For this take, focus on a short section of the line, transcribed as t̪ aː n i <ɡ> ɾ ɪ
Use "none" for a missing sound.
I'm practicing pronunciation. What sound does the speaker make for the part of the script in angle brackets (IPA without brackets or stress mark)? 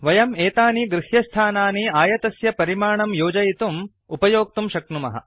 ɡ